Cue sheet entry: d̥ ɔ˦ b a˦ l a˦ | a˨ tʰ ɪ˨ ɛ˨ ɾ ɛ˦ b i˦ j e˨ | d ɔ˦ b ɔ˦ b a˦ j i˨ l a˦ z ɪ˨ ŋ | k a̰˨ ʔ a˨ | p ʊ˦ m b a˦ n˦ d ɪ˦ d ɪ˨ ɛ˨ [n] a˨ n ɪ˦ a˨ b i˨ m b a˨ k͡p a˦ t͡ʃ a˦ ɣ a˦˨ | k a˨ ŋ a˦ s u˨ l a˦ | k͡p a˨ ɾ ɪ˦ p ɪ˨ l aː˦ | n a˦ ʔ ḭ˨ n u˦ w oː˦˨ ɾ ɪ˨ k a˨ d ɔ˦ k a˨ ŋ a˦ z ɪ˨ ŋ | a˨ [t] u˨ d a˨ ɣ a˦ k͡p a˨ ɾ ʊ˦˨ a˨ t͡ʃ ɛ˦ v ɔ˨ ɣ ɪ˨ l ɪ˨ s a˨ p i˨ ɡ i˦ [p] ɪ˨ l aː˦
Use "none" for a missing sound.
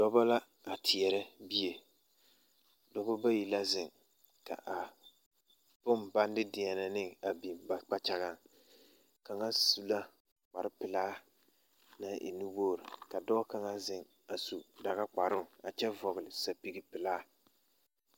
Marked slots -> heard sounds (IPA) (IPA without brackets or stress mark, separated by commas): n, s, p